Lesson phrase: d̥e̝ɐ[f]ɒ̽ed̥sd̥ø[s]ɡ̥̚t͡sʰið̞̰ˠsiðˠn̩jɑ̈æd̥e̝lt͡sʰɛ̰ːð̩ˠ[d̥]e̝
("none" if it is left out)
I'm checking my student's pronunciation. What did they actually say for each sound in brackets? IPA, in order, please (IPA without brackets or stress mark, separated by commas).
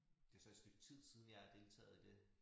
s, none, d̥